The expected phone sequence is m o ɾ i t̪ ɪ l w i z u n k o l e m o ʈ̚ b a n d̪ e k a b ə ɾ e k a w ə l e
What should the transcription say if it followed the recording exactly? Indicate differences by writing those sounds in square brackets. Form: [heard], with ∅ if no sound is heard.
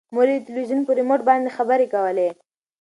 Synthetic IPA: m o ɾ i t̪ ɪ l w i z u n [p] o [ɾ] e m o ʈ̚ b [ɑ] n d̪ e [x] a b ə ɾ e k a w ə l e